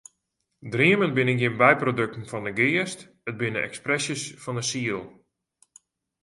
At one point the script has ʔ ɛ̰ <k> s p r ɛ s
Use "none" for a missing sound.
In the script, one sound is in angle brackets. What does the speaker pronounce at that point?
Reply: k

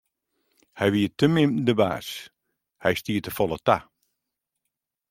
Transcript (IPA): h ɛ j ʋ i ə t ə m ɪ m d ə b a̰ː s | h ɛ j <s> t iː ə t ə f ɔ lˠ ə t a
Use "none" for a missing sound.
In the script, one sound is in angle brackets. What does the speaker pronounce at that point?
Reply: s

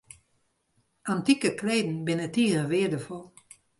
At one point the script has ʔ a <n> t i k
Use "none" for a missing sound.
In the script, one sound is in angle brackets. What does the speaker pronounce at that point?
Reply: n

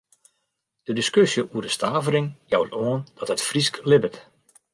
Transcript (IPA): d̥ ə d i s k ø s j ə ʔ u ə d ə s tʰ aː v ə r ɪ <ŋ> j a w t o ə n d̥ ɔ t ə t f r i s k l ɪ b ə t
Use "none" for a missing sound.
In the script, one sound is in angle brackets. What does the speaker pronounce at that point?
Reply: ŋ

